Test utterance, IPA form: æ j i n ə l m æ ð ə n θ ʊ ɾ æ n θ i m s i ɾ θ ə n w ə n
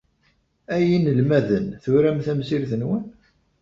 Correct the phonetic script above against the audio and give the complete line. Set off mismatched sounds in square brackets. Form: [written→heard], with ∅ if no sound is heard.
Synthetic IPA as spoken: æ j i n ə l m æ ð ə n θ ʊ ɾ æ [n→m] θ [i→æ] m s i ɾ θ ə n w ə n